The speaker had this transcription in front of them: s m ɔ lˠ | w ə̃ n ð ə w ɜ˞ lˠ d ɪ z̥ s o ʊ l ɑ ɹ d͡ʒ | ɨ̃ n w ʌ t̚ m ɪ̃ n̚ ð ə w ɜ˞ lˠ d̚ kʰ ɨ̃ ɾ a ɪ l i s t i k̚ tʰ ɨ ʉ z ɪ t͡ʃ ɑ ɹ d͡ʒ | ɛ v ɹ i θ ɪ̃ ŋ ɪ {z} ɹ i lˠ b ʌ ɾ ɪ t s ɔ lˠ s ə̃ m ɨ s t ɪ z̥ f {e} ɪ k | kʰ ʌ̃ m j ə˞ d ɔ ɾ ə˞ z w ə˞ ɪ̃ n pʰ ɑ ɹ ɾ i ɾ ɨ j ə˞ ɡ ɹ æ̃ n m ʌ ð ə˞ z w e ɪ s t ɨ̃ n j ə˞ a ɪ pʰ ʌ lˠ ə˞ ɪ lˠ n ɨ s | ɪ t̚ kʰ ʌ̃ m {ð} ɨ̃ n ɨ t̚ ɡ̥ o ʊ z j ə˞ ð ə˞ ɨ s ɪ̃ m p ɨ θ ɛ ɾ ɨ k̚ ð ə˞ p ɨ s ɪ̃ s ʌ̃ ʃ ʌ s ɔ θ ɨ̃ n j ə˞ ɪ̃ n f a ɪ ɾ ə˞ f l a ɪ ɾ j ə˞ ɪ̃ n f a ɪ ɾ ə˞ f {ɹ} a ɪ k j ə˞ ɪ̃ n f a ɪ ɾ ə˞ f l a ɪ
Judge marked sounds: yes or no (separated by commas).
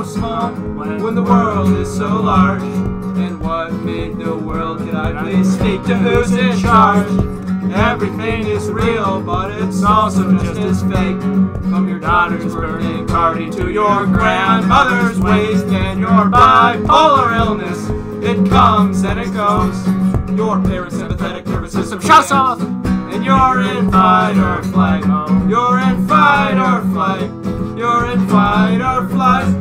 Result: yes, yes, no, no